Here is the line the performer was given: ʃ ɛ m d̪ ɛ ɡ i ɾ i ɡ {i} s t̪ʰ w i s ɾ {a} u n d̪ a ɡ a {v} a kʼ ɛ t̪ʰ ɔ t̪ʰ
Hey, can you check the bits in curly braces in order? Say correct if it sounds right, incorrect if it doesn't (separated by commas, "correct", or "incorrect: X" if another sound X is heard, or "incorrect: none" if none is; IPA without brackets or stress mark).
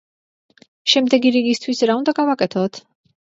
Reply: correct, correct, correct